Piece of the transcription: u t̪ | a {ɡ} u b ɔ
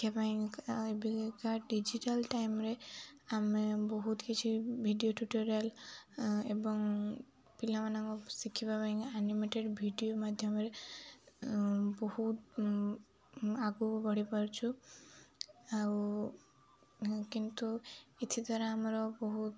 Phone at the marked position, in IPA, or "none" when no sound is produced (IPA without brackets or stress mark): ɡ